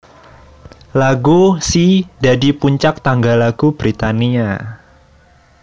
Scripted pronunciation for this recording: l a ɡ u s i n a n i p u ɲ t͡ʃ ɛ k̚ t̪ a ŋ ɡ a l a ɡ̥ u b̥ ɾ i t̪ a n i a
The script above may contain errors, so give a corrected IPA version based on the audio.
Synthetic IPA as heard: l a ɡ u s i d a d i p u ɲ t͡ʃ a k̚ t̪ a ŋ ɡ a l a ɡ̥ u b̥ ɾ i t̪ a n i a